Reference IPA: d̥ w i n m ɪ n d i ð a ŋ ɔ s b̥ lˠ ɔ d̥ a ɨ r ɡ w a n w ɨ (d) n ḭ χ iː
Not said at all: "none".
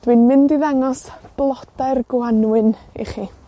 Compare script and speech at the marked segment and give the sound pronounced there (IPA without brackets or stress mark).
none